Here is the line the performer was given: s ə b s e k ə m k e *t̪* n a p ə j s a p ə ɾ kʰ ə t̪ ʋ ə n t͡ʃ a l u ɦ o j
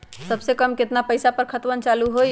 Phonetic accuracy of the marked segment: correct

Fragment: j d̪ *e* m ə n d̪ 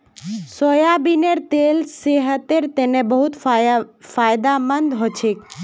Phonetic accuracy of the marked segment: incorrect: a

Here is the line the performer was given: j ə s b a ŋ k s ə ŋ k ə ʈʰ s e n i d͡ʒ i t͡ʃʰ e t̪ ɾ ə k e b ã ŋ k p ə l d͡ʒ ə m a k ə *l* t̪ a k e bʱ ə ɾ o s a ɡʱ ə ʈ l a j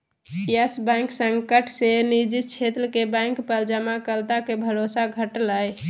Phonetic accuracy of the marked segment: correct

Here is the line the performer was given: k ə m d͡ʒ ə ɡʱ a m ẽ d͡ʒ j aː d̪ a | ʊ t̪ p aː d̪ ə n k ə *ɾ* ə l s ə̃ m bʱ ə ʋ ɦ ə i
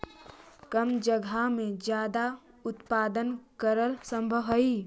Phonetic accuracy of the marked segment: correct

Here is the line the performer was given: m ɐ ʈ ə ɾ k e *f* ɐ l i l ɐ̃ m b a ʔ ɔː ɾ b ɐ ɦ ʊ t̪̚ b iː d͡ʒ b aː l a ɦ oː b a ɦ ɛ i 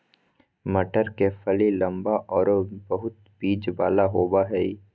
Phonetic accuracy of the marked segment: correct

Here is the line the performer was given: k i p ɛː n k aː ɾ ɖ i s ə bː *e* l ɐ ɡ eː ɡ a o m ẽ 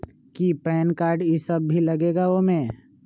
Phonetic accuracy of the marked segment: incorrect: i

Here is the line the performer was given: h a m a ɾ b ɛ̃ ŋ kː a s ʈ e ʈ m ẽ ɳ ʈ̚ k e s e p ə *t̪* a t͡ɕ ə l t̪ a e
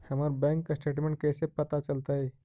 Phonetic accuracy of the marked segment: correct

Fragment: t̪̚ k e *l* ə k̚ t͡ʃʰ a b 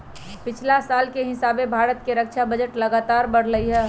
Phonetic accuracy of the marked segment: incorrect: ɾ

